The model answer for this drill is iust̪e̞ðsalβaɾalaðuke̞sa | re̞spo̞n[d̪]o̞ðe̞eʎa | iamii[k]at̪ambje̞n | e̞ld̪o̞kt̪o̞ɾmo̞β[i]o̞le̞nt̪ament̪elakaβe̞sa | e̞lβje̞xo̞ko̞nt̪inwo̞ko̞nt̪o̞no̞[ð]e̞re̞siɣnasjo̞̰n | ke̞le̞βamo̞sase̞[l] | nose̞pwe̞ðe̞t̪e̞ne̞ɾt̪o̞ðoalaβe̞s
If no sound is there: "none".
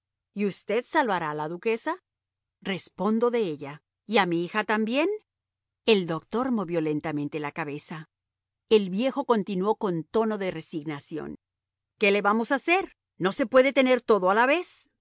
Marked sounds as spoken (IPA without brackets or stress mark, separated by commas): d̪, x, j, ð, ɾ